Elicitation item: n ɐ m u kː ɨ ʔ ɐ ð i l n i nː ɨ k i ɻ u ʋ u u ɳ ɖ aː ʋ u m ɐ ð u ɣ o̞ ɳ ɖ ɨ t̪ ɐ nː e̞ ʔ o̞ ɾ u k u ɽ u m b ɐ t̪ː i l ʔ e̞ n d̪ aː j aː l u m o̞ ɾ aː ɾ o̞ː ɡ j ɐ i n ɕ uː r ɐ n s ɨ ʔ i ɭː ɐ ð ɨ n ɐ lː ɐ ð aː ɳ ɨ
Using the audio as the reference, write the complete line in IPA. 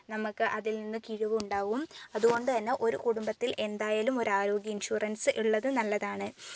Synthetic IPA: n ɐ m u kː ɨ ʔ ɐ ð i l n i nː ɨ k i ɻ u ʋ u u ɳ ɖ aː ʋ u m ɐ ð u ɣ o̞ ɳ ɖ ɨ t̪ ɐ nː e̞ ʔ o̞ ɾ u k u ɽ u m b ɐ t̪ː i l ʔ e̞ n d̪ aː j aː l u m o̞ ɾ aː ɾ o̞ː ɡ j ɐ i n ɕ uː r ɐ n s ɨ ʔ i ɭː ɐ ð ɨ n ɐ lː ɐ ð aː ɳ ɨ